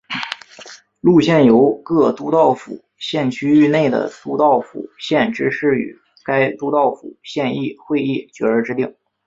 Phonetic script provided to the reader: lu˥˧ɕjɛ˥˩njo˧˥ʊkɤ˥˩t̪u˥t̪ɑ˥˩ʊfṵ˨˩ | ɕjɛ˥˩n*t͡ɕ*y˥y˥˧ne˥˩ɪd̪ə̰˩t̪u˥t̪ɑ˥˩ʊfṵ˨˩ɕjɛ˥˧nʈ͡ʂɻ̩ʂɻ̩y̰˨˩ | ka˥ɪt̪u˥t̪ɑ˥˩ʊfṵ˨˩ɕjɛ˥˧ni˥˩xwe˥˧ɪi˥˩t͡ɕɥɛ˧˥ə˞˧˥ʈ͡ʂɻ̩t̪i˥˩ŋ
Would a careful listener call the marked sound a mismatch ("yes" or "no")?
yes